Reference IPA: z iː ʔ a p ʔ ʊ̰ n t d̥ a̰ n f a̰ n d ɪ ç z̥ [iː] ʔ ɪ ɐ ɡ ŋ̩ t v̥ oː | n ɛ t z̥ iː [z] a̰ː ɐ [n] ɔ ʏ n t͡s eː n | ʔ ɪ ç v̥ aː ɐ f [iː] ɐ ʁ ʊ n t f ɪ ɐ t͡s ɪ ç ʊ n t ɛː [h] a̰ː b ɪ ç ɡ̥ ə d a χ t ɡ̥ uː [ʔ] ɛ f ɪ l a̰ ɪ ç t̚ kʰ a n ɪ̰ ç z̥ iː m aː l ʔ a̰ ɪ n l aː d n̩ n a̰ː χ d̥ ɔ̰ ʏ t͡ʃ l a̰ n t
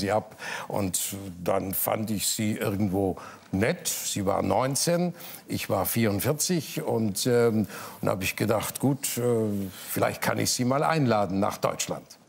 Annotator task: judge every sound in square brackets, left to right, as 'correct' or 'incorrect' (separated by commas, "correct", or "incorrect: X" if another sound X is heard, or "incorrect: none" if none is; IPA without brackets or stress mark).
correct, incorrect: v, correct, correct, correct, incorrect: t